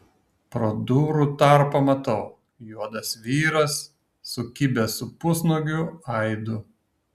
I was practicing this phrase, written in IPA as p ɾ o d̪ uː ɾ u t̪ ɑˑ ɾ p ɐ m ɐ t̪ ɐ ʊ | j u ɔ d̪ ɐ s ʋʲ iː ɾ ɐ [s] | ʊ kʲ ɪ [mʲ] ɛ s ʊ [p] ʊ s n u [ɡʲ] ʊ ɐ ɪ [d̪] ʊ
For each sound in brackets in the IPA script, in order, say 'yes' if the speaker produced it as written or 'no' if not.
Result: no, no, yes, yes, yes

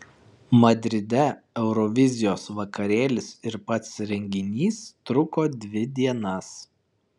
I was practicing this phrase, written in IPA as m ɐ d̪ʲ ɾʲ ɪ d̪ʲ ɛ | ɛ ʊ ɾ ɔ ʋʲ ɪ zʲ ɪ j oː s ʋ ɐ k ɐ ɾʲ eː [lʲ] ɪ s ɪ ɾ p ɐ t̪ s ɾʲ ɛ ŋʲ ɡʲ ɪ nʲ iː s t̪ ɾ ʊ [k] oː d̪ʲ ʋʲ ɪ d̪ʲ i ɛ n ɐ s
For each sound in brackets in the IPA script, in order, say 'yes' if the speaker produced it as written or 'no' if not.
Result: yes, yes

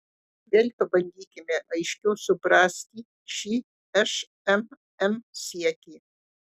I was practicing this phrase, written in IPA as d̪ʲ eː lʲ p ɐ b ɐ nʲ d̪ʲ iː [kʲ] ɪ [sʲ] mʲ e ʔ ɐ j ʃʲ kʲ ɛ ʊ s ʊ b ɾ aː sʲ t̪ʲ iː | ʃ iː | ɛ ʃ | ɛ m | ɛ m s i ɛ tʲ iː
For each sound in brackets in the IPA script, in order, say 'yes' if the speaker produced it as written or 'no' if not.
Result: yes, no

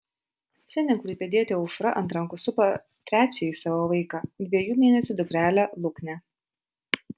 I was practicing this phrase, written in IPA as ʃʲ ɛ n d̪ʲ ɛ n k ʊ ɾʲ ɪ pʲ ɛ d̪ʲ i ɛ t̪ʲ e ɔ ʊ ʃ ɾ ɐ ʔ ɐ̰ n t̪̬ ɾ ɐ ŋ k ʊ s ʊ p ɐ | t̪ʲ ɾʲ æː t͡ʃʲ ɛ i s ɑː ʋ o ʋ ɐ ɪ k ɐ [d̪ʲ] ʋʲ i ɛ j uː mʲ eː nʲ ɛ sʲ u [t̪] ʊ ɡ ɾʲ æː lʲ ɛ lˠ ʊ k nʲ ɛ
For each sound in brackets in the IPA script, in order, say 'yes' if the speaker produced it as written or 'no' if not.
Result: yes, no

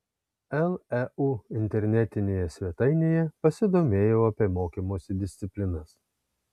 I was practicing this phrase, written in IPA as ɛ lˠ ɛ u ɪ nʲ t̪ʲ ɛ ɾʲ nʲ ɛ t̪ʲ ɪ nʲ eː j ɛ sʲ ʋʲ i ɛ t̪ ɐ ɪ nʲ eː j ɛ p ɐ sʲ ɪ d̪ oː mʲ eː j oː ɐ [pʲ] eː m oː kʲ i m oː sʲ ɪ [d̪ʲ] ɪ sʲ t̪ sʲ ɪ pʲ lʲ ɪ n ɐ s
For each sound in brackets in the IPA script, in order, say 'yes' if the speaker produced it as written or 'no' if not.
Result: yes, yes

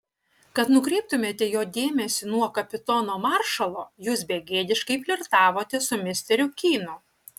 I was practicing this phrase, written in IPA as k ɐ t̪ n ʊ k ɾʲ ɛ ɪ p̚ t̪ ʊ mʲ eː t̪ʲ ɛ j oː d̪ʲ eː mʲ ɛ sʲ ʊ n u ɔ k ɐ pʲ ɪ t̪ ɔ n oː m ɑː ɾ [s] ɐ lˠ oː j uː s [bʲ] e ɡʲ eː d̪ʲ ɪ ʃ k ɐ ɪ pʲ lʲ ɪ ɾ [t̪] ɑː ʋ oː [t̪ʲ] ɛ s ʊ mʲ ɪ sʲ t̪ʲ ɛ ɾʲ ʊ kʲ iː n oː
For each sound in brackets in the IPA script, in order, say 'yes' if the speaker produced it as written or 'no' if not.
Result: no, yes, yes, yes

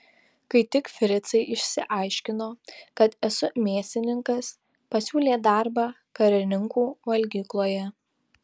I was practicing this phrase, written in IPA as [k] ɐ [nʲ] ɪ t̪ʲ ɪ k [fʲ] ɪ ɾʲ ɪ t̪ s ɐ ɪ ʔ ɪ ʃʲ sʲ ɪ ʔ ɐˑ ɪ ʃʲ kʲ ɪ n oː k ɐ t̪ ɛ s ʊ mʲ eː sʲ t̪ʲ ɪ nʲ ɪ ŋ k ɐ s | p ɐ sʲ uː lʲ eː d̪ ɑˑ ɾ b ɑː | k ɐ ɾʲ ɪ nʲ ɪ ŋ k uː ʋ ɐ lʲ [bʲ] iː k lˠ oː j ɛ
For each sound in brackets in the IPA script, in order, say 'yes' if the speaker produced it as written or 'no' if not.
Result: yes, no, yes, no

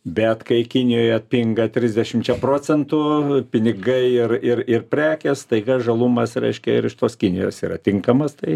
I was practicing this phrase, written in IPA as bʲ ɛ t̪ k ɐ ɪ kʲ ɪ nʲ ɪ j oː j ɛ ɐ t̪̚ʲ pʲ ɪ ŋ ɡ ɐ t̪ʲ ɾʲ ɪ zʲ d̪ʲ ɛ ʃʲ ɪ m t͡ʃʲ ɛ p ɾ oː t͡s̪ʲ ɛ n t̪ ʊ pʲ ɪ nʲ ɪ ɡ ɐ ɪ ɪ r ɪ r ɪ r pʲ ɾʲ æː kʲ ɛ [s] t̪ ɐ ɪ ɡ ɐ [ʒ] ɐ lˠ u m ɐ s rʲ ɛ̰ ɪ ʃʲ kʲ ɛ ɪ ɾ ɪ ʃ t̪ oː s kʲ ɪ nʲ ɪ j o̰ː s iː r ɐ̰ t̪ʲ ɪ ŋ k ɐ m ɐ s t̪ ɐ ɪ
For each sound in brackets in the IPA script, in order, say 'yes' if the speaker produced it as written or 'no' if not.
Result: yes, yes

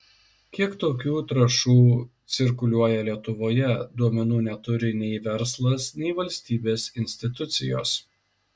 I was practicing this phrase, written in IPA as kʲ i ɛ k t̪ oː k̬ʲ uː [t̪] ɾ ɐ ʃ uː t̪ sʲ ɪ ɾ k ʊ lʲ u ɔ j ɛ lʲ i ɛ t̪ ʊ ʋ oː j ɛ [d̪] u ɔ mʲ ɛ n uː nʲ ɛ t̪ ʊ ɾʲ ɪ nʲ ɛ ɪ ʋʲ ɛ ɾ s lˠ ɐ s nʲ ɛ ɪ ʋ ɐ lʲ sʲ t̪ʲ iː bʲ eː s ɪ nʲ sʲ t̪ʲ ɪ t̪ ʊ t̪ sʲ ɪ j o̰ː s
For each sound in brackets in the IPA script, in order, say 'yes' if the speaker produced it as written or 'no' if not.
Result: yes, yes

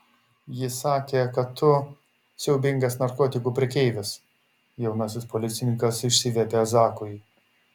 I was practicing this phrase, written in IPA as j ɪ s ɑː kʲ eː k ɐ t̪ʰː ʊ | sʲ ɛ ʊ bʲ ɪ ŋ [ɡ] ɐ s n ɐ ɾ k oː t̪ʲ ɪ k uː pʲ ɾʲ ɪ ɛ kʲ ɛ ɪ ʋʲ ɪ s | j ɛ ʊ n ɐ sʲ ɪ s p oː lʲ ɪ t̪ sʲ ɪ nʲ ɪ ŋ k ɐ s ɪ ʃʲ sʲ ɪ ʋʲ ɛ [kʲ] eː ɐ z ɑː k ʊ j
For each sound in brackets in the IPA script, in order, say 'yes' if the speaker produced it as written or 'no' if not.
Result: yes, no

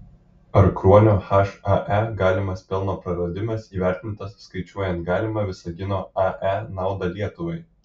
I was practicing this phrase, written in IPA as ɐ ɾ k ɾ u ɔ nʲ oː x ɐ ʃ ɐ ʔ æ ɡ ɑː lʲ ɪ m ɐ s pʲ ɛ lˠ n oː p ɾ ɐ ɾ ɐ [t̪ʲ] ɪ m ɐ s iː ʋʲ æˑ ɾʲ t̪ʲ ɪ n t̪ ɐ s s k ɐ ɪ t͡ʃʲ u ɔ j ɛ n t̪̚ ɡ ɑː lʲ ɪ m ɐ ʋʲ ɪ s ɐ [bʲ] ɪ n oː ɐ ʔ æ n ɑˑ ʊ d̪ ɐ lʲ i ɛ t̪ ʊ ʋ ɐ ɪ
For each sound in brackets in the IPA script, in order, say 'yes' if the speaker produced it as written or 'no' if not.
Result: no, no

